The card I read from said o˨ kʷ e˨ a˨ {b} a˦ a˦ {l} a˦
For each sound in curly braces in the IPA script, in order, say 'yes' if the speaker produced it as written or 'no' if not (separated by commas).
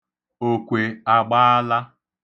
no, yes